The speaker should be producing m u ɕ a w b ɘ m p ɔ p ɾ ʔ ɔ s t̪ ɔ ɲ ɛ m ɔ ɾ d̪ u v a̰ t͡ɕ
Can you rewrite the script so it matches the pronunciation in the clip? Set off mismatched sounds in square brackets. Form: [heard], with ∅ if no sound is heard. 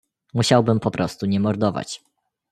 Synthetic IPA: m u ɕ a w b ɘ m p ɔ p ɾ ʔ ɔ s t̪ [u] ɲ ɛ m ɔ ɾ d̪ [ɔ] v a̰ t͡ɕ